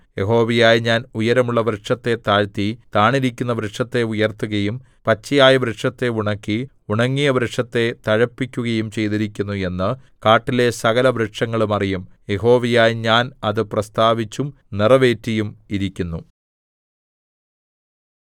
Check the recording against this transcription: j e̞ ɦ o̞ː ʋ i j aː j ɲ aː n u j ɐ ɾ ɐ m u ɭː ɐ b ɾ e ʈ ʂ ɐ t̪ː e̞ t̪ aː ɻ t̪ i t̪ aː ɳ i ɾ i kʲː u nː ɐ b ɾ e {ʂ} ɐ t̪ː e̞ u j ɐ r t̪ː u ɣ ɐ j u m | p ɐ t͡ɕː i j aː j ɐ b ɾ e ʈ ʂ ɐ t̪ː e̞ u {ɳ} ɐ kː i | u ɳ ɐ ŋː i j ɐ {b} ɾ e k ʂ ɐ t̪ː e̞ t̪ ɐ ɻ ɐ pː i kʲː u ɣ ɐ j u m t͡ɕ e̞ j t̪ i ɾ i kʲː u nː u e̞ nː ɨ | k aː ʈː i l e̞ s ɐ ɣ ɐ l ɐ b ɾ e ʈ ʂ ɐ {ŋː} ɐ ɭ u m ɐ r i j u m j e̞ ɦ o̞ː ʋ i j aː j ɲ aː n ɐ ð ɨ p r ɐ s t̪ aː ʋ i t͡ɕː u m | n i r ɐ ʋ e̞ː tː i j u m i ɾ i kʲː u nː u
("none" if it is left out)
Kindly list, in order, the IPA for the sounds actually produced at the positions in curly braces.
ʂ, ɳ, b, ŋː

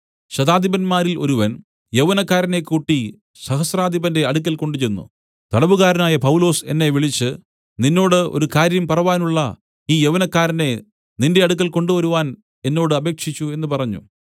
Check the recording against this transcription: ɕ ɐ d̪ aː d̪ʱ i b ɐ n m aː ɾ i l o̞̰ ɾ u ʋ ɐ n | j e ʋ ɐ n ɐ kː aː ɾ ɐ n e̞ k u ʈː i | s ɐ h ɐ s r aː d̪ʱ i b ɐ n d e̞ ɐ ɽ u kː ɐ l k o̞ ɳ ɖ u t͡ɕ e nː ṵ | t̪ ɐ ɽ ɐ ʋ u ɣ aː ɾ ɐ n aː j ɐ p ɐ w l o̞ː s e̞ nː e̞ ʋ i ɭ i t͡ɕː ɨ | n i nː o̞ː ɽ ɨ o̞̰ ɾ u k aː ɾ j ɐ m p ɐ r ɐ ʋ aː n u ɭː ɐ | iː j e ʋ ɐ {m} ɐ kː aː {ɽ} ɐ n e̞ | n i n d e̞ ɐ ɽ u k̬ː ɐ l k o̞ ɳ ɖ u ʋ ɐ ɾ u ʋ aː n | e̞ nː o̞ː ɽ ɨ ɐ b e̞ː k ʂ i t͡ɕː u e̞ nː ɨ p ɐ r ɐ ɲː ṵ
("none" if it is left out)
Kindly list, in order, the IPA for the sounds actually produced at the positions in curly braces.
n, ɾ

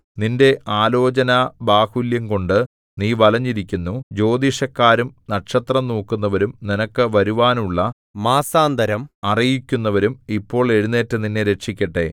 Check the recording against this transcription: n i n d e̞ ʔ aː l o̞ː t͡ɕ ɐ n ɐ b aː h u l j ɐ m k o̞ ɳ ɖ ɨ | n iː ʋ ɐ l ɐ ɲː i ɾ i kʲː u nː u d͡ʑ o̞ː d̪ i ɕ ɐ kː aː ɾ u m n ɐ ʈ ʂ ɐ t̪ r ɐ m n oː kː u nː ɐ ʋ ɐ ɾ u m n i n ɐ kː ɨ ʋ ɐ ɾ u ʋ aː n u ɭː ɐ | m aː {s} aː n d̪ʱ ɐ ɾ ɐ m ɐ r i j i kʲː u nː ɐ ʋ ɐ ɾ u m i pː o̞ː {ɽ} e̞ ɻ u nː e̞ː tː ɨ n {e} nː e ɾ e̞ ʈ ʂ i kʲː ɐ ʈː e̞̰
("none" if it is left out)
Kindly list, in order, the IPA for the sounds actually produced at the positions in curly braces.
s, ɭ, i

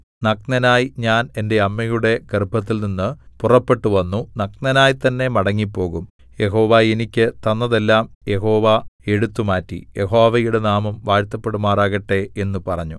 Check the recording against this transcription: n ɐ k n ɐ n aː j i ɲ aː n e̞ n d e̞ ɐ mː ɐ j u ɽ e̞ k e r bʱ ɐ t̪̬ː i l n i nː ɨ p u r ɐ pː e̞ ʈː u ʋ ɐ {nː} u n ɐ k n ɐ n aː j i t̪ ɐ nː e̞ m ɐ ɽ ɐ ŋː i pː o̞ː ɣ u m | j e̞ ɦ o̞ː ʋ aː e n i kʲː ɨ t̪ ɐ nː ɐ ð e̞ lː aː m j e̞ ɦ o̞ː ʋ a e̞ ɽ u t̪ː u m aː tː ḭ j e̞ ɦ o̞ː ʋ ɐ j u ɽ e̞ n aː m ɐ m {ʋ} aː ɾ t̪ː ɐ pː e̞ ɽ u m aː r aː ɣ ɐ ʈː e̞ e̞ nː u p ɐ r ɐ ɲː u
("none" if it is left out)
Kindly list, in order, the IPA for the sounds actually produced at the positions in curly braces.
nː, ʋ

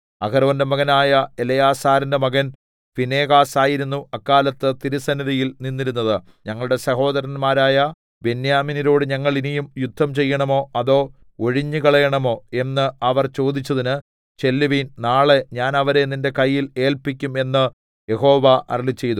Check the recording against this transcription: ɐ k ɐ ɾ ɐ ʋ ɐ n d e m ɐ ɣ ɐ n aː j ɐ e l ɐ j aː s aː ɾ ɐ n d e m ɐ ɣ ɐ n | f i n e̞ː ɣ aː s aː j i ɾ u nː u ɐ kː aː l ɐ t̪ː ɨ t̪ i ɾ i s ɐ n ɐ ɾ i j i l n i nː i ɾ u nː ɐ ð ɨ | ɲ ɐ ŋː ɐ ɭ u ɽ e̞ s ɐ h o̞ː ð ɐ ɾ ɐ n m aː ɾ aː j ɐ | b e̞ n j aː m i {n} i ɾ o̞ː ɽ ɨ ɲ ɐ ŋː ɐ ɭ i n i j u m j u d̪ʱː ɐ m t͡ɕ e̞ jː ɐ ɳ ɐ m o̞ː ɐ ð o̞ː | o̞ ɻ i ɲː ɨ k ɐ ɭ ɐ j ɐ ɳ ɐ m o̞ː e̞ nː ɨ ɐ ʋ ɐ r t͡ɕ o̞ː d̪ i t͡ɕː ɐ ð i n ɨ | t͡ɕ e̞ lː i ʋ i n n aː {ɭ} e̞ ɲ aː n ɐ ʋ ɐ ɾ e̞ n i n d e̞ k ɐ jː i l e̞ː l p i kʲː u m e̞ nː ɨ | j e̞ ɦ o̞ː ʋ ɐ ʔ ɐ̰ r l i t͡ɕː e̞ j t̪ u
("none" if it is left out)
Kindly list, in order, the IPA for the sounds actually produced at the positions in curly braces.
n, ɭ

